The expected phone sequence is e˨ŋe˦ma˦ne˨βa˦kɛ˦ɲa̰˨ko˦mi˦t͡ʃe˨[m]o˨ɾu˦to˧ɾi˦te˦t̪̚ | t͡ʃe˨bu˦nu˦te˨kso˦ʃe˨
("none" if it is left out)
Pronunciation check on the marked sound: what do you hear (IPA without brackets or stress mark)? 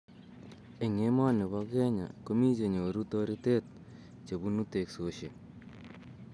ɲ